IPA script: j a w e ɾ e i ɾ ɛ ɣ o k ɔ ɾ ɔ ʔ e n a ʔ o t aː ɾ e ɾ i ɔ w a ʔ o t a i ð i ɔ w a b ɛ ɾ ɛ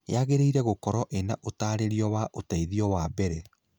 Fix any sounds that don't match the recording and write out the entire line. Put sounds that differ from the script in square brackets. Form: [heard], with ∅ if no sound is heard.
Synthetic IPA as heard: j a [ɣ] e ɾ e i ɾ ɛ ɣ o k ɔ ɾ ɔ ʔ e n a ʔ o t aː ɾ e ɾ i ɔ w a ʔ o t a i ð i ɔ w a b ɛ ɾ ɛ